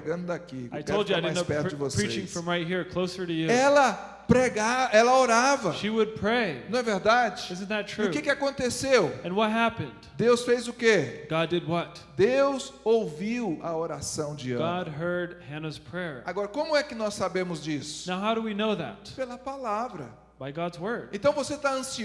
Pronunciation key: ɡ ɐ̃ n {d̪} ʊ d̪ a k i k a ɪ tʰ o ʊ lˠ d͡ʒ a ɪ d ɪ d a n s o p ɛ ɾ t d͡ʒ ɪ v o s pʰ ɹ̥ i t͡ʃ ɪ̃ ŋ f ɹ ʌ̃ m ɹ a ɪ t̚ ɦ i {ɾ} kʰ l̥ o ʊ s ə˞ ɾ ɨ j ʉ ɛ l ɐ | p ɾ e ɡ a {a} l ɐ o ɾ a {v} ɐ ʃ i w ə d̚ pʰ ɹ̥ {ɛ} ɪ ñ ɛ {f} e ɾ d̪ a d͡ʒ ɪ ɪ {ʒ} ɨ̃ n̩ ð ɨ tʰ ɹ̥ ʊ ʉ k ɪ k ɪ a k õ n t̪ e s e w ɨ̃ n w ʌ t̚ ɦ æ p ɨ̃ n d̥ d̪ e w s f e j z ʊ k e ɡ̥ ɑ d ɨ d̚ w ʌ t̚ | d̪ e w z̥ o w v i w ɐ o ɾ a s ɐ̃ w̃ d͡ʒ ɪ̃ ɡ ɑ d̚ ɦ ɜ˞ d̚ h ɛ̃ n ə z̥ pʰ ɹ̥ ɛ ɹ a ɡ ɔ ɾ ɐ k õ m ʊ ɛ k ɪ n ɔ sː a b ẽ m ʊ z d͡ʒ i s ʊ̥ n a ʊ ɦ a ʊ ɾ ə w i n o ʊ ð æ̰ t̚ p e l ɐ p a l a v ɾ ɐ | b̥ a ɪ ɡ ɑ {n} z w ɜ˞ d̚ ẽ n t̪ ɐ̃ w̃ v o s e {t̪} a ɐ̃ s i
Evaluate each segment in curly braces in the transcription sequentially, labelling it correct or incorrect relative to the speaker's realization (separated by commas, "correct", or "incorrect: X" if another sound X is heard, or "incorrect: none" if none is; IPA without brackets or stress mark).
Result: correct, incorrect: ɹ, incorrect: ɛ, correct, incorrect: e, incorrect: v, incorrect: z, incorrect: d, correct